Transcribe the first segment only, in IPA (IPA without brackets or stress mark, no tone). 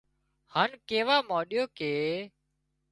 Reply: h